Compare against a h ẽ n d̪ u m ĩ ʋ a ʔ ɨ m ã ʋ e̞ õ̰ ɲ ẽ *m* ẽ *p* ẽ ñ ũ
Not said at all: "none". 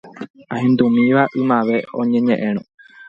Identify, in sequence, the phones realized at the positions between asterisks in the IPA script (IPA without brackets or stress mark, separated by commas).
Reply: ɲ, ʔ